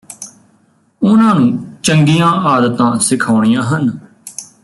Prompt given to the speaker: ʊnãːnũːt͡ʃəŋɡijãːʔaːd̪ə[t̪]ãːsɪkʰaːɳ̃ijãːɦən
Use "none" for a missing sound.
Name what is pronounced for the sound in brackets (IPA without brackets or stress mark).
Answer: t̪